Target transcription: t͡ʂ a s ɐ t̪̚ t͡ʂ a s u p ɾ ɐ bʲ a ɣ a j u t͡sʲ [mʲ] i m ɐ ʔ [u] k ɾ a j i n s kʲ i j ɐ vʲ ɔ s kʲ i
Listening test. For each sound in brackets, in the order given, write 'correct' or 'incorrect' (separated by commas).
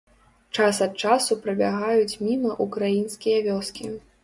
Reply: correct, correct